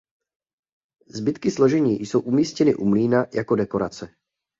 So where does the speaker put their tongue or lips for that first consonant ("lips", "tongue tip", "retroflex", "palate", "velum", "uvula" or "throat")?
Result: tongue tip